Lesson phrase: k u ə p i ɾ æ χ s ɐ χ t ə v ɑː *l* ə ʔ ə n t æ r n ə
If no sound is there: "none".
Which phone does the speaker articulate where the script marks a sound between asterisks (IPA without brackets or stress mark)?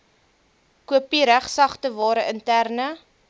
ɾ